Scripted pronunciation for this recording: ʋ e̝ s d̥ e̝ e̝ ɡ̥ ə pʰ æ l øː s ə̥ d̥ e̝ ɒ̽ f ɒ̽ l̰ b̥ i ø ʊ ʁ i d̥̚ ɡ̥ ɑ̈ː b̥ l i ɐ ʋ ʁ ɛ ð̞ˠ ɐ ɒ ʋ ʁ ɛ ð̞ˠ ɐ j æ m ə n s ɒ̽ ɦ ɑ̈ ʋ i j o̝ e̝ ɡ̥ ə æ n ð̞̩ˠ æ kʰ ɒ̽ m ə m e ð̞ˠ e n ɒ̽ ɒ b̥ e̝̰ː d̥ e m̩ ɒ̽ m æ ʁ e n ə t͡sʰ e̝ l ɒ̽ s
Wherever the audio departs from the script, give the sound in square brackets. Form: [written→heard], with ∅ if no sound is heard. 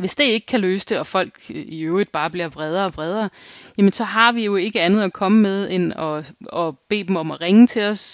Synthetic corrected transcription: ʋ e̝ s d̥ e̝ e̝ ɡ̥ ə [pʰ→kʰ] æ l øː s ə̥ d̥ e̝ ɒ̽ f ɒ̽ l̰ [b̥→ɡ̥] i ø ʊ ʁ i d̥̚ [ɡ̥→b̥] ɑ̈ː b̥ l i ɐ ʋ ʁ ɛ ð̞ˠ ɐ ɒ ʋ ʁ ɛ ð̞ˠ ɐ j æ m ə n s ɒ̽ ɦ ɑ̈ ʋ i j o̝ e̝ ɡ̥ ə æ n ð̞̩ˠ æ kʰ ɒ̽ m ə m e ð̞ˠ e n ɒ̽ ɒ b̥ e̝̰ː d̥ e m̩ ɒ̽ m æ ʁ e [n→ŋ] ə t͡sʰ e̝ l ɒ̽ s